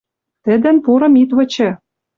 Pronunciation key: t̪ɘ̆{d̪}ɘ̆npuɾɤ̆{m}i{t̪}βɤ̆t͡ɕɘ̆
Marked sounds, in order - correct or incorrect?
correct, correct, correct

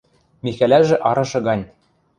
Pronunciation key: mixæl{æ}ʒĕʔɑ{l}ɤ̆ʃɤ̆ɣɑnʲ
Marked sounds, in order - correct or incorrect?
correct, incorrect: ɾ

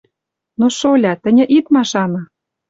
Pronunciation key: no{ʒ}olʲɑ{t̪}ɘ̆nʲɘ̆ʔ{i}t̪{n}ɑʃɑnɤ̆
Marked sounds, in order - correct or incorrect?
incorrect: ʃ, correct, correct, incorrect: m

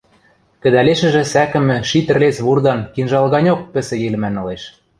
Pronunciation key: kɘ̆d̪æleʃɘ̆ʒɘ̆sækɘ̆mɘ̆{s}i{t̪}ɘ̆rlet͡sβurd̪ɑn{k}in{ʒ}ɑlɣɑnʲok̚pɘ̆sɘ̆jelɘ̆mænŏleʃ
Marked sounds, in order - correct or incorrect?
incorrect: ʃ, correct, correct, correct

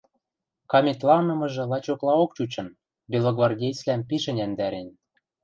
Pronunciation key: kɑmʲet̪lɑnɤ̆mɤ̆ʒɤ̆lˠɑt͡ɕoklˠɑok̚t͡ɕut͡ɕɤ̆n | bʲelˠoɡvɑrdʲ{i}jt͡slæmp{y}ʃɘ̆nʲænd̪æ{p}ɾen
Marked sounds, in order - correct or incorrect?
incorrect: e, incorrect: i, incorrect: none

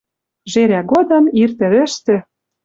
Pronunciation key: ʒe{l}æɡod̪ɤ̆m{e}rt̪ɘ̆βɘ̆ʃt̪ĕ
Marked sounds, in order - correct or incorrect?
incorrect: ɾ, incorrect: i

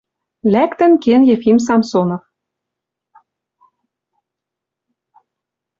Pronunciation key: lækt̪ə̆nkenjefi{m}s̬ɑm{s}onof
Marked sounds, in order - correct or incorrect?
correct, correct

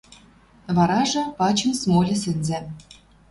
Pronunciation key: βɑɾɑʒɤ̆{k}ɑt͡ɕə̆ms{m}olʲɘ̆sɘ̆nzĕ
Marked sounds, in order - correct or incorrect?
incorrect: p, correct

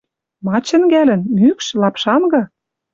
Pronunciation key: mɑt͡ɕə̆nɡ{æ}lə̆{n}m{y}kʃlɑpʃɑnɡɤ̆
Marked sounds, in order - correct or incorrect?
correct, correct, correct

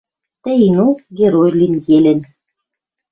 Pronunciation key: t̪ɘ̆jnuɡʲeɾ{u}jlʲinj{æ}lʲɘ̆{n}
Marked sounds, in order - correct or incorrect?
incorrect: o, incorrect: e, correct

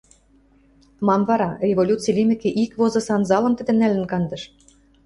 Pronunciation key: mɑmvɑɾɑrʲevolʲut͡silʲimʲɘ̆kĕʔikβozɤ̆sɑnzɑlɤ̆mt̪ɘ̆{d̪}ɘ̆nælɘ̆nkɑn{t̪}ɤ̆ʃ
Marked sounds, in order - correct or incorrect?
correct, incorrect: d̪

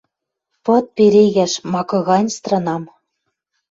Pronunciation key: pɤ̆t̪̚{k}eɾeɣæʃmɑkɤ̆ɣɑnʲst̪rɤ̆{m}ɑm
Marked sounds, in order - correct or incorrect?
incorrect: p, incorrect: n

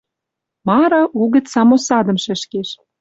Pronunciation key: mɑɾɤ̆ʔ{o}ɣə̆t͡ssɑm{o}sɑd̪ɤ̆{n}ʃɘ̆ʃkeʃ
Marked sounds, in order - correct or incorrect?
incorrect: u, correct, incorrect: m

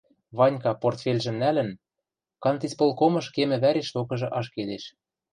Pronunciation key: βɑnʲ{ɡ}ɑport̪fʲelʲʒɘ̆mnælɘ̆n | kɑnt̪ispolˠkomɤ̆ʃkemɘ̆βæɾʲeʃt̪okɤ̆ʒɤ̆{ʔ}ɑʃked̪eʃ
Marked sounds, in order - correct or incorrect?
incorrect: k, correct

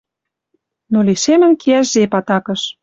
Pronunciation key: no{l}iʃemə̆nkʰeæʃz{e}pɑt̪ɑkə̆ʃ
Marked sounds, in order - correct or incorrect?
correct, correct

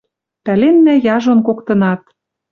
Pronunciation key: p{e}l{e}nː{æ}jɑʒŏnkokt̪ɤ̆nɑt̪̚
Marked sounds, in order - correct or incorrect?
incorrect: æ, correct, correct

